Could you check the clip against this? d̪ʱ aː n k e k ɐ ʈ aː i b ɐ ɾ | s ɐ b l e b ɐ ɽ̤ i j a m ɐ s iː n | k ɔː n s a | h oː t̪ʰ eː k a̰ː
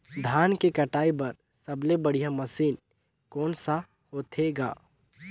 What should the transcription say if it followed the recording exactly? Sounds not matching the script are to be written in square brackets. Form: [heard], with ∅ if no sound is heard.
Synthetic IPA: d̪ʱ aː n k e k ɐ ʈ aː i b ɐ ɾ | s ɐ b l e b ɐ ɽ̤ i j a m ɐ s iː n | k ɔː n s a | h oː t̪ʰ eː [ɡ] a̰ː